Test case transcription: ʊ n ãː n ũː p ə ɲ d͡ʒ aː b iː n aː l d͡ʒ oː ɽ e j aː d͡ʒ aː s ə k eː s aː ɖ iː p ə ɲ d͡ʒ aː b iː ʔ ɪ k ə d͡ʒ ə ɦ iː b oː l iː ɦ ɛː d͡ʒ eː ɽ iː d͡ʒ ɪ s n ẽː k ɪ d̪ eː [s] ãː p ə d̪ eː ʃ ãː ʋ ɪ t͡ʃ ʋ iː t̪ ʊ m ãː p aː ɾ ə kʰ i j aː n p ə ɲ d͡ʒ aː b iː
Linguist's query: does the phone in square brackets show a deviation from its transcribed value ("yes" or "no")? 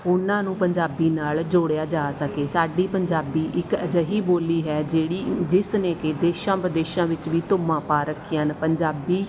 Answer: yes